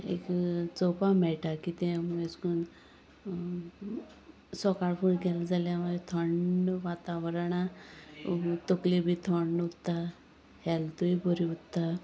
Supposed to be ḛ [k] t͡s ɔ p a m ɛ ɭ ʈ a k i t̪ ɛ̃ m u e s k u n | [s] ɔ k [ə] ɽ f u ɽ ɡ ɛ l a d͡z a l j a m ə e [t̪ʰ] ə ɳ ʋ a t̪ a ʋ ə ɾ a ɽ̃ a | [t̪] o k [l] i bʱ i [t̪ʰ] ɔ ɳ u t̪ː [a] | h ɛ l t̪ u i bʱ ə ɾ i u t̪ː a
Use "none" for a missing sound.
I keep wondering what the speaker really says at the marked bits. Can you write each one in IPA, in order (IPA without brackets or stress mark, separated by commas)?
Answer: k, s, a, t̪ʰ, t̪, l, t̪ʰ, a